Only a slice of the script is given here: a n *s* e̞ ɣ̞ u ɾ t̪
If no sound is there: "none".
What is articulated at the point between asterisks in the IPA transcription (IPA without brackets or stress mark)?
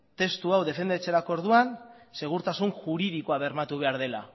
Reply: s